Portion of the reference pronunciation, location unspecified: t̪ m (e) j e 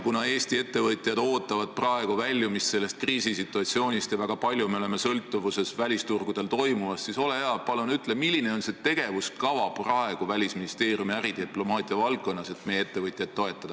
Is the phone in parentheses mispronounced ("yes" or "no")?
no